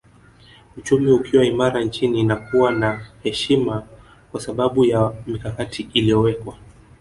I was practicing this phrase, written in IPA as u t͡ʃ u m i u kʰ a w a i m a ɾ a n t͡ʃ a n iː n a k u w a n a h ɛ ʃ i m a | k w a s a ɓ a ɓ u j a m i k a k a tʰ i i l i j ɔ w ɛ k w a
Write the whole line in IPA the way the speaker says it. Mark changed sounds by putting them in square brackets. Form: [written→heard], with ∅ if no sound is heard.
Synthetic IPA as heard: u t͡ʃ u m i u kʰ [a→i] w a i m a ɾ a n t͡ʃ [a→i] n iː n a k u w a n a h ɛ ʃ i m a | k w a s a ɓ a ɓ u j a m i k a k a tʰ i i l i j ɔ w ɛ k w a